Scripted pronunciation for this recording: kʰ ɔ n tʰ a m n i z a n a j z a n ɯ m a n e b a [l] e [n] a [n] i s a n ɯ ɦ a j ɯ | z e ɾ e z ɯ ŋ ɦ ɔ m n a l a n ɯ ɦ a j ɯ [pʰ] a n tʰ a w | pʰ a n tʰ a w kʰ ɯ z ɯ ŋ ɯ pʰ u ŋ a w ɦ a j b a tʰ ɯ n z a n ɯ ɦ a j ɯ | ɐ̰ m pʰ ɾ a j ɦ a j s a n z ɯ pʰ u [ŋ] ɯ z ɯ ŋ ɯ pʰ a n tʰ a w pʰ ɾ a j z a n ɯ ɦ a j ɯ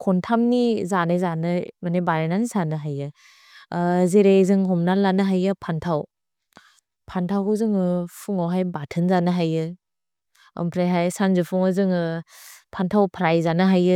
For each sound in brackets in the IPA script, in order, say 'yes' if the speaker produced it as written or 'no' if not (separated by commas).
no, yes, yes, yes, yes